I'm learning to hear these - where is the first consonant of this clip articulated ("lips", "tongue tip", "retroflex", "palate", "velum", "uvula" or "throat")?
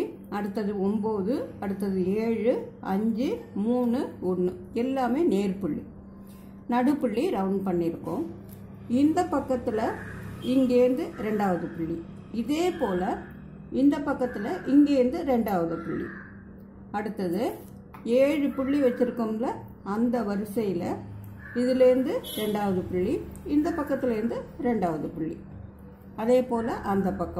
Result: retroflex